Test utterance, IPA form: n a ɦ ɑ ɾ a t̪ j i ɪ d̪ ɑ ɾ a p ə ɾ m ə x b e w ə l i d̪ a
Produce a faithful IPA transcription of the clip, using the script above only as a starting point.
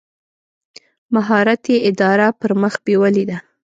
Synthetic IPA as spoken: m a ɦ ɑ ɾ a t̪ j e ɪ d̪ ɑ ɾ a p ə ɾ m ə x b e w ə l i d̪ a

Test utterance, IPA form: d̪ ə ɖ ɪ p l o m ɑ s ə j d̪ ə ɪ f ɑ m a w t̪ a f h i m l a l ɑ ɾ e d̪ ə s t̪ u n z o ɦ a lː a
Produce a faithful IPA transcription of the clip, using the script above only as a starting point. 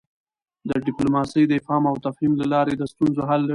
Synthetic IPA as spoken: d̪ ə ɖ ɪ p l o m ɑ s ə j d̪ ə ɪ f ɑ m a w t̪ a f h i m l a l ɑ ɾ e d̪ ə s t̪ u n z o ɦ a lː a

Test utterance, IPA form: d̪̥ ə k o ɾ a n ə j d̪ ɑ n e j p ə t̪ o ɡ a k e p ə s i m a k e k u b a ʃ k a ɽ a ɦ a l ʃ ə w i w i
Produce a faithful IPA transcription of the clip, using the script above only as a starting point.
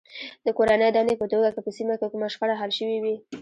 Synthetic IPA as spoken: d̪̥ ə k o ɾ a n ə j d̪ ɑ n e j p ə t̪ o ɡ a k e p ə s i m a k e k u m a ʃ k a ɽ a ɦ a l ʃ ə w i w i

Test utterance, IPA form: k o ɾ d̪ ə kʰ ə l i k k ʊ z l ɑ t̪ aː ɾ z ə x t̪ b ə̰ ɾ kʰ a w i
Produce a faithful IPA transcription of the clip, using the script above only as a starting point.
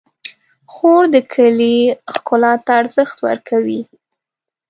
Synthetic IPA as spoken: x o ɾ d̪ ə kʰ ə l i x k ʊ l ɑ t̪ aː ɾ z ə x t̪ w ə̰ ɾ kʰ a w i

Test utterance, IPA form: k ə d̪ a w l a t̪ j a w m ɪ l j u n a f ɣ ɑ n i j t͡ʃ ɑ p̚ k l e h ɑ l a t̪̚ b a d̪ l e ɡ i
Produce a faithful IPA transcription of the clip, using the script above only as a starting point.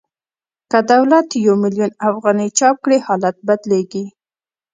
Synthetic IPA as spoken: k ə d̪ a w l a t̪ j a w m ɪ l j u n a f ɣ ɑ n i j t͡ʃ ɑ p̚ k ɽ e h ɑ l a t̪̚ b a d̪ l e ɡ i

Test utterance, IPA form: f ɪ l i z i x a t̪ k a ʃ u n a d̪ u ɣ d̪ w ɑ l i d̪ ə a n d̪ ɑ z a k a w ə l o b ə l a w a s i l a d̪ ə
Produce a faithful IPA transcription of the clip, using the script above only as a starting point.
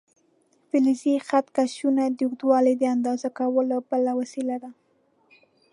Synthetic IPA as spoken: f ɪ l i z i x a t̪ k a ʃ u n a d̪ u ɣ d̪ w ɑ l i d̪ ə a n d̪ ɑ z a k a w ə l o b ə l a w a s i l a d̪ a

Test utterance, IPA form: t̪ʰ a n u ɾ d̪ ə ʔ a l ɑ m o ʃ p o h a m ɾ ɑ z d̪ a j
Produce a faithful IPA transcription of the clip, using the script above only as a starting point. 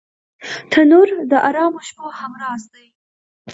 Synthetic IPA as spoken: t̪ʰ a n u ɾ d̪ ə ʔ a ɾ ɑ m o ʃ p o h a m ɾ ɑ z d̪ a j

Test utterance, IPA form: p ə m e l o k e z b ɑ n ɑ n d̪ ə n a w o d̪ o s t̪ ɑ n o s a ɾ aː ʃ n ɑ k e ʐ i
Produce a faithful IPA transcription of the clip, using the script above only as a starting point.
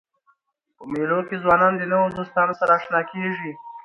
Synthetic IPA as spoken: p ə m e l o k e z w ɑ n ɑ n d̪ ə n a w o d̪ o s t̪ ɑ n o s a ɾ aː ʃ n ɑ k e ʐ i

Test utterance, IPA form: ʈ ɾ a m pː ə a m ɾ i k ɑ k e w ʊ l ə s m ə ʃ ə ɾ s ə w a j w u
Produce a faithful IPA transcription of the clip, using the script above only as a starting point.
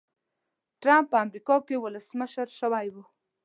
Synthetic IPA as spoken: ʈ ɾ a m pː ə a m ɾ i k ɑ k e w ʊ l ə s m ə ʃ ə ɾ ʃ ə w a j w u

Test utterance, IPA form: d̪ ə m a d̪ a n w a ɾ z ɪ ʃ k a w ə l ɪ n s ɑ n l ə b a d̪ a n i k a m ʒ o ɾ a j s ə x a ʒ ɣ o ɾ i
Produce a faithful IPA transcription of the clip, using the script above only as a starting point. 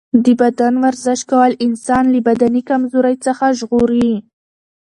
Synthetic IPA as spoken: d̪ ə b a d̪ a n w a ɾ z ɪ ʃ k a w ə l ɪ n s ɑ n l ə b a d̪ a n i k a m z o ɾ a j t͡s ə x a ʒ ɣ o ɾ i

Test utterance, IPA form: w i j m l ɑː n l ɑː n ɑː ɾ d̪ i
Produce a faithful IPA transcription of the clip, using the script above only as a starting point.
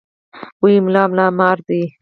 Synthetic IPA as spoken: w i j m l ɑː m l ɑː m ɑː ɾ d̪ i

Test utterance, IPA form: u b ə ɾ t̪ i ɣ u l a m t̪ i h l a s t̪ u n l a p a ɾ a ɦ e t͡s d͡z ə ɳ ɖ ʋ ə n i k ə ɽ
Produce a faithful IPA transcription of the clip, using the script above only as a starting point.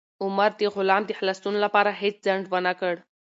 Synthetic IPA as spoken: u m ə ɾ t̪ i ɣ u l a m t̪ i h l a s t̪ u n l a p a ɾ a ɦ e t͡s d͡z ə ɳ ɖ ʋ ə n a k ə ɽ

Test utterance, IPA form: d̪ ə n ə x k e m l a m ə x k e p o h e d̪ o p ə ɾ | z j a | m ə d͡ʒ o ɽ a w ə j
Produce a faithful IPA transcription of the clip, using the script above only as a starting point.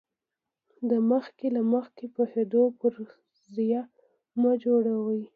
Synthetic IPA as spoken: d̪ ə m ə x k e l a m ə x k e p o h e d̪ o p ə ɾ | z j a | m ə d͡ʒ o ɽ a w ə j

